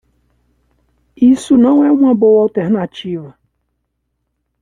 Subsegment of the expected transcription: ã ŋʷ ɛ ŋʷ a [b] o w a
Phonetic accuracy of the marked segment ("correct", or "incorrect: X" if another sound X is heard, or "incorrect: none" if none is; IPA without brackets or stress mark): correct